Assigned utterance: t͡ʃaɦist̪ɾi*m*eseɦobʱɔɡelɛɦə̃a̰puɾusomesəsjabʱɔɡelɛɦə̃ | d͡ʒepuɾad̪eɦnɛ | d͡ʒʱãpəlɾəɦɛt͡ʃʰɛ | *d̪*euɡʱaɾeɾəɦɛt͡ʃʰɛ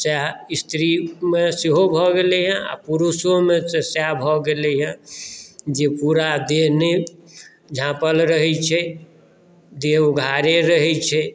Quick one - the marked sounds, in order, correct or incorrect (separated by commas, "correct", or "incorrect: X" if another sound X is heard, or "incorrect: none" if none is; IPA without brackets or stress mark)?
correct, correct